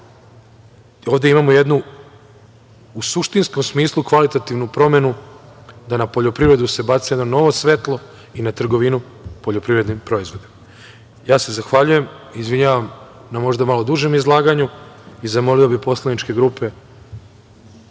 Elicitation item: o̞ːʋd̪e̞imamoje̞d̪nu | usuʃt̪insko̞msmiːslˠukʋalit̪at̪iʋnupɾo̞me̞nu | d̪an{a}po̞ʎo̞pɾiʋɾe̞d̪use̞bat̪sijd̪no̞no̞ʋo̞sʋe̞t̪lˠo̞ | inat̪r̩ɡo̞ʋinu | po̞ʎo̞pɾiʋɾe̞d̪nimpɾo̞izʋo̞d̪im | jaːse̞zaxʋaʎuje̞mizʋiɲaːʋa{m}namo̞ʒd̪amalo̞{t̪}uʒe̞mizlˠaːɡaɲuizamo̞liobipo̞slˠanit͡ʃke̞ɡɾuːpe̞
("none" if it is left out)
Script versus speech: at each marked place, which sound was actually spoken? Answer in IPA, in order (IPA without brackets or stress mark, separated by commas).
a, m, d̪